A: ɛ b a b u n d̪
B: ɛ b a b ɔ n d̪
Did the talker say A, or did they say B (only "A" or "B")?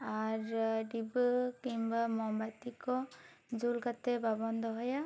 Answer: B